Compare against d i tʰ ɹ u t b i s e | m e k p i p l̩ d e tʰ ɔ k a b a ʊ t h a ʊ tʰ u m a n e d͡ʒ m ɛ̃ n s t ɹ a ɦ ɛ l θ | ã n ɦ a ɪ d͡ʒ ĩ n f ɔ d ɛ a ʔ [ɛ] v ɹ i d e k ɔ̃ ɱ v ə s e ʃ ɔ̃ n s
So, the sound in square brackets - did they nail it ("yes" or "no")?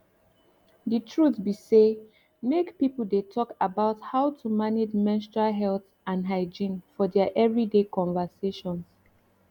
yes